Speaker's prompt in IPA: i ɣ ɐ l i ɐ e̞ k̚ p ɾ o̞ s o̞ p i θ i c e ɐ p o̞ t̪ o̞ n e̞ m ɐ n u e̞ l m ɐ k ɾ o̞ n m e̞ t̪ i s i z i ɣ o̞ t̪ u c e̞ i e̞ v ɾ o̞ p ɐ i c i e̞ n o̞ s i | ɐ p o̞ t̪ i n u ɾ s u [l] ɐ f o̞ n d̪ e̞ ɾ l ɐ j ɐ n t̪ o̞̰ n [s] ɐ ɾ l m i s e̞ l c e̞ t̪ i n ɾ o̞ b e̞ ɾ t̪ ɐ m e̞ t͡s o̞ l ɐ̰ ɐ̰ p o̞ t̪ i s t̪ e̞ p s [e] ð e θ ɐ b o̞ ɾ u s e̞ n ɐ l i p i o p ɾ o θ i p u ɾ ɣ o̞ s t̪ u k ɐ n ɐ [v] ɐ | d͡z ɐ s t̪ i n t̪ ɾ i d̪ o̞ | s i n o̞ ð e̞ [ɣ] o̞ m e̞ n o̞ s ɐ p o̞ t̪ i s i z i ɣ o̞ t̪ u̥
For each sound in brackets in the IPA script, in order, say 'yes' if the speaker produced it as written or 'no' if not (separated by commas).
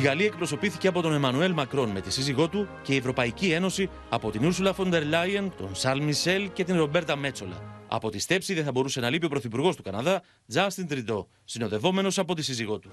yes, yes, no, no, no